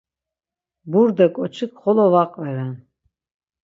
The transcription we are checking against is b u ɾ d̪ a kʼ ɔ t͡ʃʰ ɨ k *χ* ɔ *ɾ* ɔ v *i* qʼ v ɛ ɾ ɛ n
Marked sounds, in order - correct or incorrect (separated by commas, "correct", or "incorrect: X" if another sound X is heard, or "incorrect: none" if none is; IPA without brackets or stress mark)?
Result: correct, incorrect: l, incorrect: a